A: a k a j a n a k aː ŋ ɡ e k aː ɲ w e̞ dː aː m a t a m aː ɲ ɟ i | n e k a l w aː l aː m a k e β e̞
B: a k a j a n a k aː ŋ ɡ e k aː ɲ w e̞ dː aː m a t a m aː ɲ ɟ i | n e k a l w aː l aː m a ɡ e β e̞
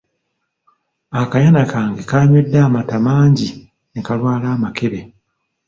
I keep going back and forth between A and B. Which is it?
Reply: A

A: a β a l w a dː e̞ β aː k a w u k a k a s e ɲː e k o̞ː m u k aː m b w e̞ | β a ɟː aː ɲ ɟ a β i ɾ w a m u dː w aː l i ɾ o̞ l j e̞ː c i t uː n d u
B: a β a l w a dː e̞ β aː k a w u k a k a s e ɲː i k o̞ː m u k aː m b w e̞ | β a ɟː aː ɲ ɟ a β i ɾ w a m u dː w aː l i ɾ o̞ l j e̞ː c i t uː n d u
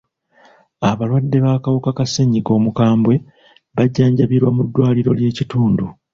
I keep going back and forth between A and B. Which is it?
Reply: B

